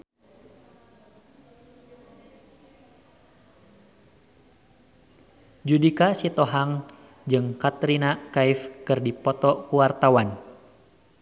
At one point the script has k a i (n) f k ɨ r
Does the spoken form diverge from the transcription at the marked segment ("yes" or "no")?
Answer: yes